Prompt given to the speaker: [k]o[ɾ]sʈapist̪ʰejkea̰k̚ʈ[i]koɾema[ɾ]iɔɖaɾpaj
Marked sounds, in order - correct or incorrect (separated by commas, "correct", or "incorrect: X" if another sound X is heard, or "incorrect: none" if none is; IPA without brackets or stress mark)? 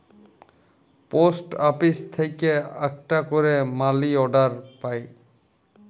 incorrect: p, incorrect: none, incorrect: a, incorrect: l